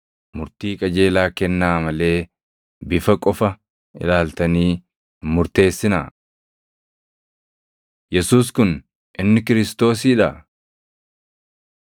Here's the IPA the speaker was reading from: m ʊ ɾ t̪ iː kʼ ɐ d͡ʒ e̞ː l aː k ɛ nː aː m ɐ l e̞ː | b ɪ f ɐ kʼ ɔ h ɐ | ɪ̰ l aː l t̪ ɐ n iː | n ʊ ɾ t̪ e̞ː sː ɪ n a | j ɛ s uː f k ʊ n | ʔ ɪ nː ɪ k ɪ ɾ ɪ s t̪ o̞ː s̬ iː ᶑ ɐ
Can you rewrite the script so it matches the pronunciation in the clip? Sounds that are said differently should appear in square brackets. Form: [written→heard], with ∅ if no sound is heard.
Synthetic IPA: m ʊ ɾ t̪ iː kʼ ɐ d͡ʒ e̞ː l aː k ɛ nː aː m ɐ l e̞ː | b ɪ f ɐ kʼ ɔ [h→f] ɐ | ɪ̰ l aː l t̪ ɐ n iː | [n→m] ʊ ɾ t̪ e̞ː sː ɪ n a | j ɛ s uː [f→s] k ʊ n | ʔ ɪ nː ɪ k ɪ ɾ ɪ s t̪ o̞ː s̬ iː ᶑ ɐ